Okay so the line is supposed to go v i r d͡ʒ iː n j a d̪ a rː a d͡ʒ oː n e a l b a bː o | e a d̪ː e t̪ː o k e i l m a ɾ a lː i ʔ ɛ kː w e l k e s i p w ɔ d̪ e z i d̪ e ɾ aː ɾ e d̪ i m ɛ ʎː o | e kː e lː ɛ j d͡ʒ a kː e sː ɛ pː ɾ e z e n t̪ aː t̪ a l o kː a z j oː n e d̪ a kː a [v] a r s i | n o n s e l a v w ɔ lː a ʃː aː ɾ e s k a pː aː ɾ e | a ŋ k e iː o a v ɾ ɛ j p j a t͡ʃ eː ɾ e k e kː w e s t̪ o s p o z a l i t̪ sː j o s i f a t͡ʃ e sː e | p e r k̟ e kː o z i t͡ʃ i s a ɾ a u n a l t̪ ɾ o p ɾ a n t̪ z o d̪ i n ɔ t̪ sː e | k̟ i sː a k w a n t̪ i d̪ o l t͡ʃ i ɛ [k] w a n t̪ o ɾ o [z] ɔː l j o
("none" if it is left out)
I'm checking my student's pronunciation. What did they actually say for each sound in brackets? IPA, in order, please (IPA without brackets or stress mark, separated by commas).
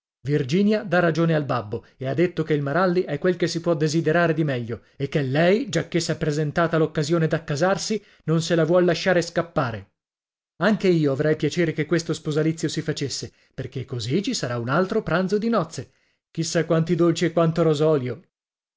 z, k, z